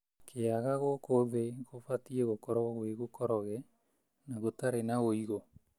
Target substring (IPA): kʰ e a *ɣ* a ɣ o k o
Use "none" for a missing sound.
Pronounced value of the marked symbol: ɣ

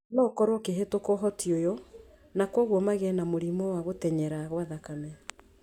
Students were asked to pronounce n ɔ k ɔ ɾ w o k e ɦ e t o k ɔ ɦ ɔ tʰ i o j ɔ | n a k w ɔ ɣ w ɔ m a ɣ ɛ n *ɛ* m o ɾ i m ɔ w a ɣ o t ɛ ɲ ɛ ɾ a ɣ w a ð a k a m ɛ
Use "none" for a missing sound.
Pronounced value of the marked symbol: a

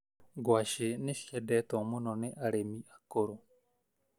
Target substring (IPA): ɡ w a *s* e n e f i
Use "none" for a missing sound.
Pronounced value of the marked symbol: ʃ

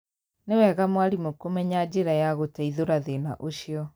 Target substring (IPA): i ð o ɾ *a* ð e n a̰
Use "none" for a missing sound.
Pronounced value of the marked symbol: a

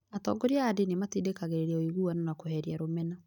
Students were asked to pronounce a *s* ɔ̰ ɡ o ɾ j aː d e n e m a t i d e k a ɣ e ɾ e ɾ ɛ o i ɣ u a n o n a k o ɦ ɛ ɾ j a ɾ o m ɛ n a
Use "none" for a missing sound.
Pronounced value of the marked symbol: t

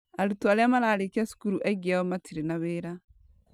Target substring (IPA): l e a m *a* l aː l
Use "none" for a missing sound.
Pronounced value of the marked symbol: a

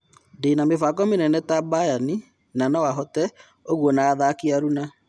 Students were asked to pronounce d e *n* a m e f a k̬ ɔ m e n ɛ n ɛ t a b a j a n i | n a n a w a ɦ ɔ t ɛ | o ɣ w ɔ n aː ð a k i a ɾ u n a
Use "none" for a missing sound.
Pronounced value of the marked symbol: n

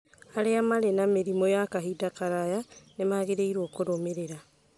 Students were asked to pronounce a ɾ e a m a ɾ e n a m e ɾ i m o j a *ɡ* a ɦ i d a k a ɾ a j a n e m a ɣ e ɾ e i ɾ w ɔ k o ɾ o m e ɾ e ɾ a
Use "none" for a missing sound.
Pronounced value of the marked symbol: k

